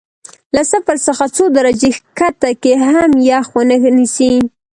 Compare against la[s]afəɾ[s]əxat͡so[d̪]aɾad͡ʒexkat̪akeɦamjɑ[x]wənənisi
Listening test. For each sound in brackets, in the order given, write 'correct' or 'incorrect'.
correct, correct, correct, correct

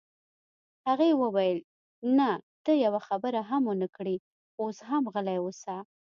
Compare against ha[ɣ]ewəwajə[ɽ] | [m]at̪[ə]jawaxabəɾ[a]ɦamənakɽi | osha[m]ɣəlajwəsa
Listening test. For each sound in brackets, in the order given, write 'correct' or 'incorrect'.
correct, incorrect, incorrect, correct, correct, correct

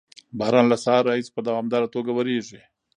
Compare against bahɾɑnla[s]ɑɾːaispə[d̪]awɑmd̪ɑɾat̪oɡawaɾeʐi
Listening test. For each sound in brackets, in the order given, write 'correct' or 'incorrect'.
correct, correct

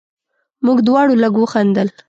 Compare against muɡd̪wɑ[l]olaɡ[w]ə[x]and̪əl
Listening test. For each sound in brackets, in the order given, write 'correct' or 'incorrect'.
incorrect, correct, correct

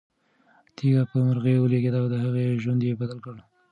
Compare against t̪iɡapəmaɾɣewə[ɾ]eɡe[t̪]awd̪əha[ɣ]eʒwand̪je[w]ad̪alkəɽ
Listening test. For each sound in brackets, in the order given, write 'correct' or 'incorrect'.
incorrect, incorrect, correct, incorrect

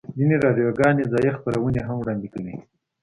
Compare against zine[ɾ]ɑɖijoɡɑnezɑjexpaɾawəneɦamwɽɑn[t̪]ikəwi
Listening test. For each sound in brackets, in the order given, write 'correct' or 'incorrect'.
correct, incorrect

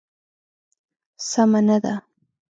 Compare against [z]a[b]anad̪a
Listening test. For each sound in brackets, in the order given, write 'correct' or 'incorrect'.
incorrect, incorrect

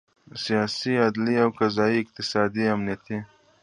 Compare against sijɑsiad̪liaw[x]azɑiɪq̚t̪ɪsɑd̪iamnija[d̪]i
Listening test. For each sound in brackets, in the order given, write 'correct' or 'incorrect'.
incorrect, incorrect

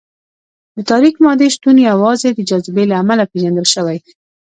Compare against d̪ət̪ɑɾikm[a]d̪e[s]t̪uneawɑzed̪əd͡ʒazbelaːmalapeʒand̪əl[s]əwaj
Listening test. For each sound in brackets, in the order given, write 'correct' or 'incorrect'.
incorrect, incorrect, incorrect

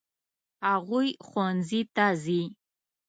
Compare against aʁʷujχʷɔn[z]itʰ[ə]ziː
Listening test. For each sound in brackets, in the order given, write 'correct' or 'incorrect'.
correct, incorrect

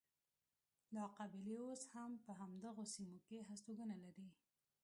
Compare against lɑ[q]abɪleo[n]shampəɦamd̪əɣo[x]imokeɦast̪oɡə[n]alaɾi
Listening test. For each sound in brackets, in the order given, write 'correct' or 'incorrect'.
correct, incorrect, incorrect, correct

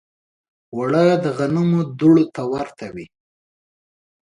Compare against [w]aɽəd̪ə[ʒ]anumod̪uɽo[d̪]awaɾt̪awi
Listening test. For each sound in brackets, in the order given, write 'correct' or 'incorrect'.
correct, incorrect, incorrect

